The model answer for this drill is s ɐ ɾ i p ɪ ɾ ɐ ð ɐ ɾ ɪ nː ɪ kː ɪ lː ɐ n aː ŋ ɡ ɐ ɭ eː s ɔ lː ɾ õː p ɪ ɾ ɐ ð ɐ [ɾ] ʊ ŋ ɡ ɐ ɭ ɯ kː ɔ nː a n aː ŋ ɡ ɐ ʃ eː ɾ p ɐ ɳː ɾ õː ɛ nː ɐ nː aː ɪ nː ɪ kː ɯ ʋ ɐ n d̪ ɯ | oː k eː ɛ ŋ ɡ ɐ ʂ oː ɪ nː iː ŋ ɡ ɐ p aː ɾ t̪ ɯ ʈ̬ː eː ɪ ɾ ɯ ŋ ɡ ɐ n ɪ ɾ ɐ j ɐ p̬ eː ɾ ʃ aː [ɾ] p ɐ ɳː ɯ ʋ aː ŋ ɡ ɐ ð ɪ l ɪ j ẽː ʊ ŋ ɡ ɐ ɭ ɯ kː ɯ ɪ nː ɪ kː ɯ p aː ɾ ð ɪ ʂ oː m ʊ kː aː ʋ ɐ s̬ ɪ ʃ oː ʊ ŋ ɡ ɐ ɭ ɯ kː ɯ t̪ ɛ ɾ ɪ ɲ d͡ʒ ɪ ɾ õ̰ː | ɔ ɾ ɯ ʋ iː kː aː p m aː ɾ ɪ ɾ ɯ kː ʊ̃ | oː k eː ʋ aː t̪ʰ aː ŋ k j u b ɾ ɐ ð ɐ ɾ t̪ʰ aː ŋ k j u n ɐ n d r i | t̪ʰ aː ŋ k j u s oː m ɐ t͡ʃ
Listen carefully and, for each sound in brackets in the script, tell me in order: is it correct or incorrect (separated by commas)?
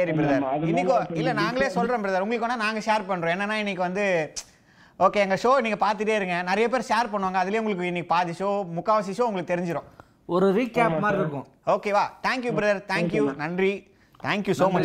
correct, correct